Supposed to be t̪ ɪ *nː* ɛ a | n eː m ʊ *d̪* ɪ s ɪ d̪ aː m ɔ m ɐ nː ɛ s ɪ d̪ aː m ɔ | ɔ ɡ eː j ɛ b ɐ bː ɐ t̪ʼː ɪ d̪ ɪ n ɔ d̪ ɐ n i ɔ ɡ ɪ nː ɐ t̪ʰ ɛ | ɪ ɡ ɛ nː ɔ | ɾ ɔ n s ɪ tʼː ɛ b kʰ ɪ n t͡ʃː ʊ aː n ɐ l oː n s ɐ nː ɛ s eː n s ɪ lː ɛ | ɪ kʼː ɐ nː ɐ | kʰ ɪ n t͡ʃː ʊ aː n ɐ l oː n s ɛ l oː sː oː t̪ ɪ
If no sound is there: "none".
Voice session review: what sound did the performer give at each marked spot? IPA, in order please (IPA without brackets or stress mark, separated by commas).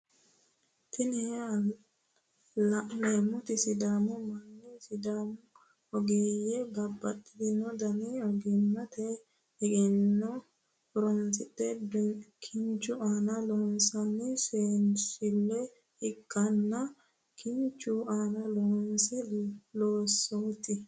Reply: n, t̪